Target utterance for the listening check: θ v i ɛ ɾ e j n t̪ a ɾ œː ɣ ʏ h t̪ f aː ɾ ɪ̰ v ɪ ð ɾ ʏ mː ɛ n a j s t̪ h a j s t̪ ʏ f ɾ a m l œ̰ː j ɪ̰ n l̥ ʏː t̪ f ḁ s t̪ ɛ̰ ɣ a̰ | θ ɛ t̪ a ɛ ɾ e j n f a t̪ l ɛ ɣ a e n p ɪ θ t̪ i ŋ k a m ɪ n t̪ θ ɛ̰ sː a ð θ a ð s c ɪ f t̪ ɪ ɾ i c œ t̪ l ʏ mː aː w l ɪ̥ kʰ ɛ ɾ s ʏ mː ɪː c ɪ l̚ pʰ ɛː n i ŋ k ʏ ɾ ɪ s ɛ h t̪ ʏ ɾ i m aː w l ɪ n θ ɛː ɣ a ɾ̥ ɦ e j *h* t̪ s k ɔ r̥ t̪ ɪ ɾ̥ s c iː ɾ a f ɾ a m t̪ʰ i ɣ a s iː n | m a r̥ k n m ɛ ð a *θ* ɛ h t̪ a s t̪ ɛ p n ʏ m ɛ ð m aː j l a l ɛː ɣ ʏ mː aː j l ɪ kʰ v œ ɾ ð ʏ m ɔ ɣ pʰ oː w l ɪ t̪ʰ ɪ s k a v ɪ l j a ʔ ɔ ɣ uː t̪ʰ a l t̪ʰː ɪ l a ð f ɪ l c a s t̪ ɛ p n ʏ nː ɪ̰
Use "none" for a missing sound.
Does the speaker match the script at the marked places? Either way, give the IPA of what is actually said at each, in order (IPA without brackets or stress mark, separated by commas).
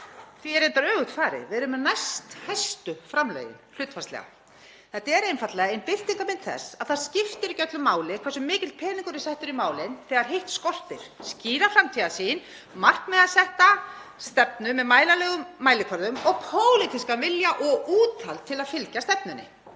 h, s